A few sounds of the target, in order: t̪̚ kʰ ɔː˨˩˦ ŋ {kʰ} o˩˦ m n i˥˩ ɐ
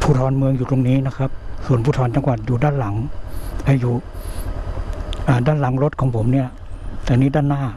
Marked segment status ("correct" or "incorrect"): incorrect